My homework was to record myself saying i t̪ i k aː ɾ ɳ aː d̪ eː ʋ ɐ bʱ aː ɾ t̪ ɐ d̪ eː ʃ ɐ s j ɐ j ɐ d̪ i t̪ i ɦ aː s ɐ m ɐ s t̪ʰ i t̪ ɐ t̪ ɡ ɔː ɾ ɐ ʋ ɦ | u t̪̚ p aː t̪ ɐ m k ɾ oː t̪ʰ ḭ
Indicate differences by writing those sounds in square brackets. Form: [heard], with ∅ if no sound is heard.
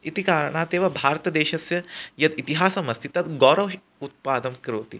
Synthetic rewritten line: i t̪ i k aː ɾ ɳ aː [t̪] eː ʋ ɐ bʱ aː ɾ t̪ ɐ d̪ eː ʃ ɐ s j ɐ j ɐ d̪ i t̪ i ɦ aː s ɐ m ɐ s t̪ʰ i t̪ ɐ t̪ ɡ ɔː ɾ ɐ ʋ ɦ | u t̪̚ p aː [d̪] ɐ m k ɾ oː [t̪] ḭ